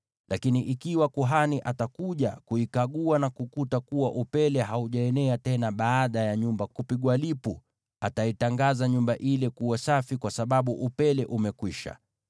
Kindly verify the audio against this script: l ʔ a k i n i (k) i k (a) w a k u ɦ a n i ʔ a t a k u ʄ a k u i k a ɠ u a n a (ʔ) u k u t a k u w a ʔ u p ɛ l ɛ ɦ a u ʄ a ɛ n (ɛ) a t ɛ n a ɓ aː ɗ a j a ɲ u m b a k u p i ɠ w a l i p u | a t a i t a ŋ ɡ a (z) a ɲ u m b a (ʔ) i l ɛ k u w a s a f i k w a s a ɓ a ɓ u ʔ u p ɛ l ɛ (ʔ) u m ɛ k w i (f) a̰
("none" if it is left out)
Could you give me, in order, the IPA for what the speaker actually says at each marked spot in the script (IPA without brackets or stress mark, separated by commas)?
ʔ, i, k, ɛ, z, ʔ, ʔ, ʃ